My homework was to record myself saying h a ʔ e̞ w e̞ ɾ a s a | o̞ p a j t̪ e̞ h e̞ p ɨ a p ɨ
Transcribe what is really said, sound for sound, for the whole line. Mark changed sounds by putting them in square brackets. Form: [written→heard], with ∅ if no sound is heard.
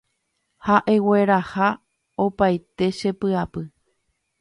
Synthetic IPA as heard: h a ʔ e̞ w e̞ ɾ a [s→h] a | o̞ p a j t̪ e̞ [h→ʃ] e̞ p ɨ a p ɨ